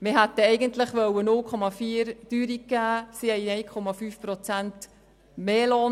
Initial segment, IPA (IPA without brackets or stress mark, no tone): m